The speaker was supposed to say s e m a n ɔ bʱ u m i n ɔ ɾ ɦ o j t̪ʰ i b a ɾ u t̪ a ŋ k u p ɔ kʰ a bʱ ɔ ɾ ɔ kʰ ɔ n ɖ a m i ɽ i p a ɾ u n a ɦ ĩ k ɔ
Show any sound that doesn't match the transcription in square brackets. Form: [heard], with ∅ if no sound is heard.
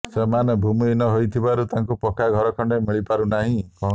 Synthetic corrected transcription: s e m a n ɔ bʱ u m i n ɔ [∅] ɦ o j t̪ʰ i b a ɾ u t̪ a ŋ k u p ɔ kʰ a [ɡʱ] ɔ ɾ ɔ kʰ ɔ [ɳ] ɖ [e] m i [ɭ] i p a ɾ u n a ɦ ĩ k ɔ